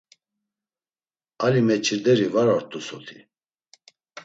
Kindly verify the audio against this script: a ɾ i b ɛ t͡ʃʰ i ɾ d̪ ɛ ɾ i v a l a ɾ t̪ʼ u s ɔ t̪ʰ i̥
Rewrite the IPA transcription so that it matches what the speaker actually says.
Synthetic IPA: a l i m ɛ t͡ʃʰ i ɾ d̪ ɛ ɾ i v a ɾ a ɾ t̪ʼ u s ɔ t̪ʰ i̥

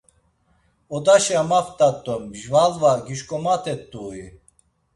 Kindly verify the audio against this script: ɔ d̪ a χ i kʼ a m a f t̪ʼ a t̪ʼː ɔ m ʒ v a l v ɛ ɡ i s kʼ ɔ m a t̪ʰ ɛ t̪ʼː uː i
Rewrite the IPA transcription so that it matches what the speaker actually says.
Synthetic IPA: ɔ d̪ a ʃ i a m a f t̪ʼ a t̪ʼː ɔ m ʒ v a l v a ɡ i ʃ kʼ ɔ m a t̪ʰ ɛ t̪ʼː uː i

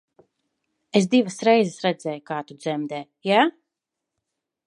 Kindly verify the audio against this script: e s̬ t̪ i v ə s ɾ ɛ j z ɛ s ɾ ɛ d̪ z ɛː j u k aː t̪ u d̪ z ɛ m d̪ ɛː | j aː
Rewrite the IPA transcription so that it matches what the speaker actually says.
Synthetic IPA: e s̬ d̪ i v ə s ɾ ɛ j z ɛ s ɾ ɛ d̪ z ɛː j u k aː t̪ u d̪ z ɛ m d̪ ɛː | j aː

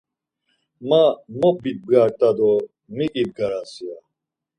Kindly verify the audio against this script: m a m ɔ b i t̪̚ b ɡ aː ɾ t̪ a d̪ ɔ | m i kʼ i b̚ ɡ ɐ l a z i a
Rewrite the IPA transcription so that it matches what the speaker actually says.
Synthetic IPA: m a m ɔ b i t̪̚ b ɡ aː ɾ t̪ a d̪ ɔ | m i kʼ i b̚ ɡ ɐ ɾ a s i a

